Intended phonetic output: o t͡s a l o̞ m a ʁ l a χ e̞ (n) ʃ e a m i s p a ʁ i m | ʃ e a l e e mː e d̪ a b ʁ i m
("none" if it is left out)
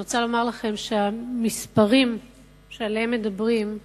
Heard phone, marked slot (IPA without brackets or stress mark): m